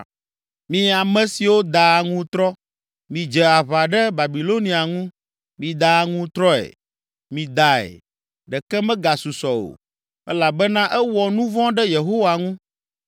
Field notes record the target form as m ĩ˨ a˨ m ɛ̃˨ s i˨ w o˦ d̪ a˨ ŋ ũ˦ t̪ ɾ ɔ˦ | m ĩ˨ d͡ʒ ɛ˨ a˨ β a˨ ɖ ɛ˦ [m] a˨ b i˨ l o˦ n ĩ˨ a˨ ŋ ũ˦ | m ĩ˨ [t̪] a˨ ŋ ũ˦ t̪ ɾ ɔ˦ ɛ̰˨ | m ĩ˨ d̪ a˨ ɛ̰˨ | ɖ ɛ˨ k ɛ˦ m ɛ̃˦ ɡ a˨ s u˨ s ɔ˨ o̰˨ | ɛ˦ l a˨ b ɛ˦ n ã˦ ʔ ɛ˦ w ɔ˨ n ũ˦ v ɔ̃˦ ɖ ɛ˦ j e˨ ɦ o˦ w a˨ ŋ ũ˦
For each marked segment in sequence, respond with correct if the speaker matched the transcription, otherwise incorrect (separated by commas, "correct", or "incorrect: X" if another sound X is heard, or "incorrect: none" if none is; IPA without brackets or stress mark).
incorrect: b, incorrect: d̪